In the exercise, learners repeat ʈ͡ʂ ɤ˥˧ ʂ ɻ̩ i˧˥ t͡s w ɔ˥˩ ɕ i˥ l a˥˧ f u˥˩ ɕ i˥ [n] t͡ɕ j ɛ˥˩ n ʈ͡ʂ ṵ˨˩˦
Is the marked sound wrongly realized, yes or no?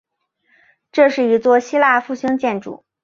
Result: yes